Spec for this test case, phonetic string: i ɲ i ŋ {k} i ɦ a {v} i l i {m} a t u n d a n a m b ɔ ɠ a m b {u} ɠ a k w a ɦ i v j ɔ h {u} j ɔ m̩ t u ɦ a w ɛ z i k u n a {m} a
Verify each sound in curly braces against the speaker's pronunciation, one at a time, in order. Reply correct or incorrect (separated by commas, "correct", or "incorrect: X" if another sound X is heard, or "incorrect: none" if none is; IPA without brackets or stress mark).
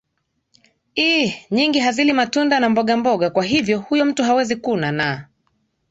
incorrect: ɡ, incorrect: z, correct, incorrect: ɔ, correct, incorrect: n